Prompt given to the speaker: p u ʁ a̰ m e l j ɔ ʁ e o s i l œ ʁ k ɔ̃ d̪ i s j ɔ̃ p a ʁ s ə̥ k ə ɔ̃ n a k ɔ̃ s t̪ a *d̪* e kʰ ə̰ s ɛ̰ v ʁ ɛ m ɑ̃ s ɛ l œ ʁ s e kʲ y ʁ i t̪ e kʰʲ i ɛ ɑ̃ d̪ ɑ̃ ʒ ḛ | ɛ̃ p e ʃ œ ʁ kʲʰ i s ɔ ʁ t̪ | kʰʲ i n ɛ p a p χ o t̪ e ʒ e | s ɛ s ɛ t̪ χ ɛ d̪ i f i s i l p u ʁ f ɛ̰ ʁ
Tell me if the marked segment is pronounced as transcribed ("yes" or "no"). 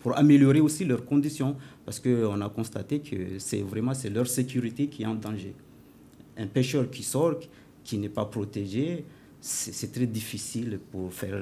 no